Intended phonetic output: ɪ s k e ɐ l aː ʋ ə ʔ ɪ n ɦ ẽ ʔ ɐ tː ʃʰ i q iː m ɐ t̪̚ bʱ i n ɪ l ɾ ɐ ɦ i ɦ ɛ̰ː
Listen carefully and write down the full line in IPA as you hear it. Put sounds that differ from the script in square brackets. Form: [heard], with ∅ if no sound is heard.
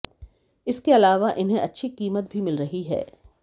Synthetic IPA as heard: ɪ s k e ɐ l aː ʋ [a] ʔ ɪ n ɦ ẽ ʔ ɐ tː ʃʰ i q iː m [ə] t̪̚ bʱ i [m] ɪ l ɾ ɐ ɦ i ɦ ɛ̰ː